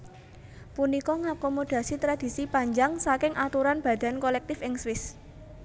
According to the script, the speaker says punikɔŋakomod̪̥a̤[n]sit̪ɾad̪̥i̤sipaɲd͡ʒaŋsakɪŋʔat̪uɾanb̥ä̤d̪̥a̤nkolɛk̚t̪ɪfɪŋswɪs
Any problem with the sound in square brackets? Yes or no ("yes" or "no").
yes